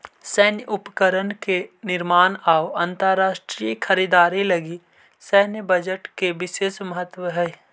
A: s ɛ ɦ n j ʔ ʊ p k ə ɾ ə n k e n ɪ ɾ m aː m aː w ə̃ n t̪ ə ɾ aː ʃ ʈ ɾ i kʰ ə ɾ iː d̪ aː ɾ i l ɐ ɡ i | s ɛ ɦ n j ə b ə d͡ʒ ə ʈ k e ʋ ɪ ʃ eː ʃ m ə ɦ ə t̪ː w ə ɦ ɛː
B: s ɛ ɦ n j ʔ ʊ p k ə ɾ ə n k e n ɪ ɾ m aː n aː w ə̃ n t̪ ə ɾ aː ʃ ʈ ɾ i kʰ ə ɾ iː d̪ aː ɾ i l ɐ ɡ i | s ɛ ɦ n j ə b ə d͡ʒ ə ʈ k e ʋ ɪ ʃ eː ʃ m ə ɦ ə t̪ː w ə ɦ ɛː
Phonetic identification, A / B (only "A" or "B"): B